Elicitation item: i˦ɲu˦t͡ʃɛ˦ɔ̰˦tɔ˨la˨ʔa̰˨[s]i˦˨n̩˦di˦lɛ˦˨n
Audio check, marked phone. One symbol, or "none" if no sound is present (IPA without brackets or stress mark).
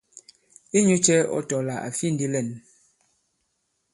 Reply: f